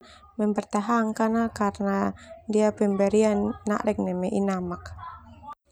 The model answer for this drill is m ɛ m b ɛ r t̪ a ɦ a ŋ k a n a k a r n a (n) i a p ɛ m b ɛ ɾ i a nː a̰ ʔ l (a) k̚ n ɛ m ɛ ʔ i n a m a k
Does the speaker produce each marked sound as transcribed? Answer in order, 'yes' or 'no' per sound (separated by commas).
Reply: no, no